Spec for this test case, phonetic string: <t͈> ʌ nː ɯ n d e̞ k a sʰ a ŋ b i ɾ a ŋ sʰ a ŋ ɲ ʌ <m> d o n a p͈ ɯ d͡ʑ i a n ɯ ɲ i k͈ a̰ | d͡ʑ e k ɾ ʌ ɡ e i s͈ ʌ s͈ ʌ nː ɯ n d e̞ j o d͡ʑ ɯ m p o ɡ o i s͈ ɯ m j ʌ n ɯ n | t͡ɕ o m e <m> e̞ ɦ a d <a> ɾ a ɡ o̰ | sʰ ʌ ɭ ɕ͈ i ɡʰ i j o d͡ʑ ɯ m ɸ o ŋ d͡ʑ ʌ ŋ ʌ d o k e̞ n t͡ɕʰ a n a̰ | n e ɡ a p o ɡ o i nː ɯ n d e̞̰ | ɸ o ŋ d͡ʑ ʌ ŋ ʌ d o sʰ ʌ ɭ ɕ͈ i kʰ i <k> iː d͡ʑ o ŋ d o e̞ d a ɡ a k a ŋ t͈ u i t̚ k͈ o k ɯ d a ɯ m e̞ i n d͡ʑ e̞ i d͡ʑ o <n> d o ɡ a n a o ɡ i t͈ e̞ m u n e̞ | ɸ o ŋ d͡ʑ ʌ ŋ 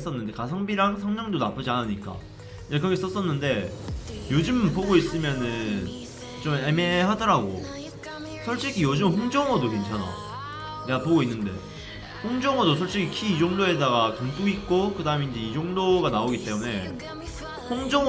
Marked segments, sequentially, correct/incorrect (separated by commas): incorrect, incorrect, correct, incorrect, incorrect, incorrect